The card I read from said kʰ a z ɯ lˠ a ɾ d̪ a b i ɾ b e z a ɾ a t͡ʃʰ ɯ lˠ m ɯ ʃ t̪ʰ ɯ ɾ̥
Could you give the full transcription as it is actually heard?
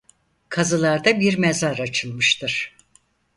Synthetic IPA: kʰ a z ɯ lˠ a ɾ d̪ a b i ɾ m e z a ɾ a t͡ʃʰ ɯ lˠ m ɯ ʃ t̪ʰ ɯ ɾ̥